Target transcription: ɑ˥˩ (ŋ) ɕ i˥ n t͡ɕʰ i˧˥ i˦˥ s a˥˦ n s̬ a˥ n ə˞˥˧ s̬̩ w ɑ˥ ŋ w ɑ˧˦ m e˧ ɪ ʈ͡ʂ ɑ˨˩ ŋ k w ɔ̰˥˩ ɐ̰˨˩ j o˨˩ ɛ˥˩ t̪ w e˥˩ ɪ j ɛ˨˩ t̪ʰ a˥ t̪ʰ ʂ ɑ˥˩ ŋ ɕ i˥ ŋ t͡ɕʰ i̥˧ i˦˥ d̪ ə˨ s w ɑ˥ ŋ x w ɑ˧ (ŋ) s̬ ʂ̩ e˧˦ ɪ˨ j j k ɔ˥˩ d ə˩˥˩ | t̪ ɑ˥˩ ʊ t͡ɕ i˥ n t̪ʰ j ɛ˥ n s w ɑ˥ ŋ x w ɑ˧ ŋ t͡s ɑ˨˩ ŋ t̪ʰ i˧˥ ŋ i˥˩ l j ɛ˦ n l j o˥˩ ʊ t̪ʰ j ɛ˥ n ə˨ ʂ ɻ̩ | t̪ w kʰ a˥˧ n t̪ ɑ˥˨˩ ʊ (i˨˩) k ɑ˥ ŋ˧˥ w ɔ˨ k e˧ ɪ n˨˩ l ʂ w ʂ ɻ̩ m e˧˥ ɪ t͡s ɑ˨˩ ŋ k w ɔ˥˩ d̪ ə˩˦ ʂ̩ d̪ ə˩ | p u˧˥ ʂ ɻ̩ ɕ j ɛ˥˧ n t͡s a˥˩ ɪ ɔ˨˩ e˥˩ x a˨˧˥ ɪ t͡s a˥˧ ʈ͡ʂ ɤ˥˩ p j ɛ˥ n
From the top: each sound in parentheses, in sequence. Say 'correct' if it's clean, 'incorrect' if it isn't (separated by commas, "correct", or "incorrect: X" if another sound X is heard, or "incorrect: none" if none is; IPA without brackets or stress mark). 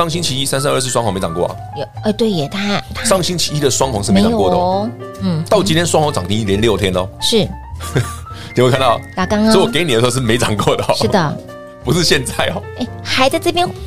correct, correct, incorrect: a˨˩